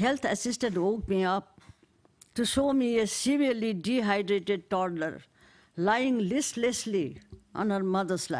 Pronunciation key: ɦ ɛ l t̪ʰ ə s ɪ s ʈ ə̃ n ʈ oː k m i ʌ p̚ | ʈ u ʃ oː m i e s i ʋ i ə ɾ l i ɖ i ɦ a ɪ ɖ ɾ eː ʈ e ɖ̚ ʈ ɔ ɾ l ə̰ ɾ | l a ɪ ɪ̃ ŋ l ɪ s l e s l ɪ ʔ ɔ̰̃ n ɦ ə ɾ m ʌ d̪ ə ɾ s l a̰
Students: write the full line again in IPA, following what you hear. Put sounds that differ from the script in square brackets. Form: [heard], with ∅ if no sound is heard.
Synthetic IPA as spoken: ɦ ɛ l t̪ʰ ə s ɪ s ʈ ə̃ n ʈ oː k m i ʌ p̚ | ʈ u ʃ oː m i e s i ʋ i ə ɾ l i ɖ i ɦ a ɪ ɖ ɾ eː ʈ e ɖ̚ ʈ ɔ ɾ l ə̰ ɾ | l a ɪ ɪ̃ ŋ l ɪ s l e s l [i] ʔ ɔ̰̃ n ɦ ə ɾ m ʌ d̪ ə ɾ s l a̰